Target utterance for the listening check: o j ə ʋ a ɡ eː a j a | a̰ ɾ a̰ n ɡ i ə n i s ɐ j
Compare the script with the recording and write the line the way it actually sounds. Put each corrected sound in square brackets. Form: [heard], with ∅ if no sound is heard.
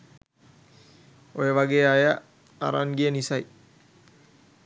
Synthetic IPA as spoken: o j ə ʋ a ɡ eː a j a | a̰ ɾ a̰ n ɡ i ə n i s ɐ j